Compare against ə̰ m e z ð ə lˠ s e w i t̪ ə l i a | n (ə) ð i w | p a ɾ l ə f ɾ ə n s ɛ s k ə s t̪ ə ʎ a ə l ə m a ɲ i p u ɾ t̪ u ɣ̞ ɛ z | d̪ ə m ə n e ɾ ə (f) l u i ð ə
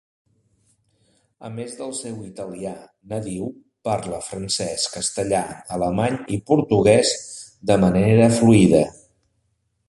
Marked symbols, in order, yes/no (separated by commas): yes, yes